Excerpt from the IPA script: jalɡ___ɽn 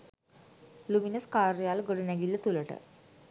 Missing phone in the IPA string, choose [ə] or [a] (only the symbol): ə